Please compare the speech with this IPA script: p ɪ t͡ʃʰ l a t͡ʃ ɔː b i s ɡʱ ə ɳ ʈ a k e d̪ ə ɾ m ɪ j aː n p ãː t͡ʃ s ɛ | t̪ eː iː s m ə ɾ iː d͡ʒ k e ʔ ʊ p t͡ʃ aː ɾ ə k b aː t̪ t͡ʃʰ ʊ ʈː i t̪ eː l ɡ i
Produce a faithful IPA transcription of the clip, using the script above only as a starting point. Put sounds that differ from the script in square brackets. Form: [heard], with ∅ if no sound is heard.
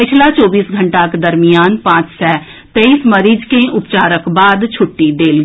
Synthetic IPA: p ɪ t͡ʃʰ l a t͡ʃ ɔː b [iː] s ɡʱ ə ɳ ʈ a k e d̪ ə ɾ m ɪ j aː n p ãː t͡ʃ s ɛ | t̪ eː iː s m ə ɾ iː d͡ʒ k e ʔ ʊ p t͡ʃ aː ɾ ə k b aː [d̪] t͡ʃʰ ʊ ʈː i [d̪] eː l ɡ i